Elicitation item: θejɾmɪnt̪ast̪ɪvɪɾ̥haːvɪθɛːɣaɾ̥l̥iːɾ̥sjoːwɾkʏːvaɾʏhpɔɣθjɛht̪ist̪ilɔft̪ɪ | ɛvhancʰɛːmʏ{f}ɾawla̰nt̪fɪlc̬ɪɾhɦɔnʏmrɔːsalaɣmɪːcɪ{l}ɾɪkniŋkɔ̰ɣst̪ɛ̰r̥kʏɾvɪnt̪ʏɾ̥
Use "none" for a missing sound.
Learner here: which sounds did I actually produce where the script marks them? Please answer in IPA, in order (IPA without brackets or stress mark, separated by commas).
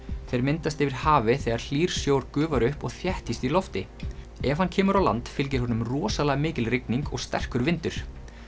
none, l